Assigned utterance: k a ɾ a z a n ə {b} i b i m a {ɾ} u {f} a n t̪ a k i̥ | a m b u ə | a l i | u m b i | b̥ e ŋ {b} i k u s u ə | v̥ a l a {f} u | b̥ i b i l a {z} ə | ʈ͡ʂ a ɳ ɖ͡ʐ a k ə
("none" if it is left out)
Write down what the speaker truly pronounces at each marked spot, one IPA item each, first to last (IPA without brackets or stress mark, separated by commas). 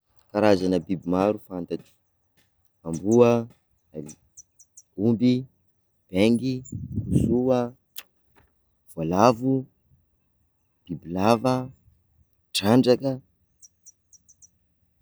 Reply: b, ɾ, f, ɡ, v, v